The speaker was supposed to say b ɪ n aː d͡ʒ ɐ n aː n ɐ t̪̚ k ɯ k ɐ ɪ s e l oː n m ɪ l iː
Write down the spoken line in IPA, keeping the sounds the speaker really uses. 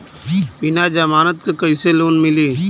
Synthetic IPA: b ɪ n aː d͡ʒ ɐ m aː n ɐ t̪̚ k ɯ k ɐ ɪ s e l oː n m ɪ l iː